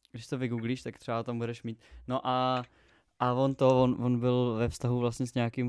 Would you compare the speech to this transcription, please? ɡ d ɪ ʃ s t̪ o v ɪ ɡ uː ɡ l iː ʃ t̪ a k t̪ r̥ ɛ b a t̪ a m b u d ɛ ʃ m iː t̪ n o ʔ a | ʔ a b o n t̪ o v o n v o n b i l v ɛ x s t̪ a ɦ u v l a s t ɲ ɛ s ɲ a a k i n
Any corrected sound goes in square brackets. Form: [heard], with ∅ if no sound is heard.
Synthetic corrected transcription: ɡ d ɪ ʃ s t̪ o v ɪ ɡ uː ɡ l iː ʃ t̪ a k t̪ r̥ ɛ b a t̪ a m b u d ɛ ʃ m iː t̪ n o ʔ a | ʔ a [v] o n t̪ o v o n v o n b [ɪ] l v ɛ [f] s t̪ a ɦ u v l a s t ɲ ɛ s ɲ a a k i [m]